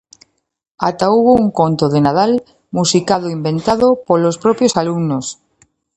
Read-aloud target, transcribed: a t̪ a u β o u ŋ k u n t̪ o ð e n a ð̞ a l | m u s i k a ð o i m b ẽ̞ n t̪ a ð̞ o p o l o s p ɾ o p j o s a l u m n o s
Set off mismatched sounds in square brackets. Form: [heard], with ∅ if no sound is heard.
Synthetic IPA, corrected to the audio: a t̪ a u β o u ŋ k [o] n t̪ o ð e n a ð̞ a l | m u s i k a ð o i m b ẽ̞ n t̪ a ð̞ o p o l o s p ɾ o p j o s a l u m n o s